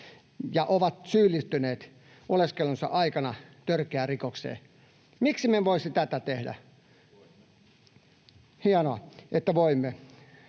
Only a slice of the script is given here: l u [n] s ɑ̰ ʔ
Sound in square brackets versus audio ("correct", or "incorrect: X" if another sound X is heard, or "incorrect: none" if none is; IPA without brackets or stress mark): correct